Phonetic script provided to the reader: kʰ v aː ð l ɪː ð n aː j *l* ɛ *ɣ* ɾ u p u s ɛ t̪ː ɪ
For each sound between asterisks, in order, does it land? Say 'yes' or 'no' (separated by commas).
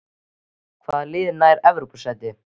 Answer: no, no